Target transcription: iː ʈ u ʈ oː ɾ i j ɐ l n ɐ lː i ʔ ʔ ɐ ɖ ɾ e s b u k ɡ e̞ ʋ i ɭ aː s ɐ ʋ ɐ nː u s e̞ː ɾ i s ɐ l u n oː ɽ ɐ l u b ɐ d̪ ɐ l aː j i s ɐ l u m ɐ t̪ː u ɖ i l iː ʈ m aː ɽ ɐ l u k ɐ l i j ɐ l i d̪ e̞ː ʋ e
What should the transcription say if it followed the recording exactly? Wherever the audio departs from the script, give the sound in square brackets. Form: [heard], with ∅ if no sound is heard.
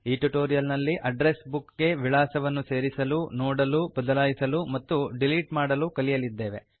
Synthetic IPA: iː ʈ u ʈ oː ɾ i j ɐ l n ɐ lː i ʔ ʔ ɐ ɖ ɾ e s b u k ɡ e̞ ʋ i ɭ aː s ɐ ʋ ɐ nː u s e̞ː ɾ i s ɐ l u n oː ɽ ɐ l u b ɐ d̪ ɐ l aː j i s ɐ l u m ɐ t̪ː u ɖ i l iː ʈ m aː ɽ ɐ l u k ɐ l i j ɐ l i [d̪ː] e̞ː ʋ e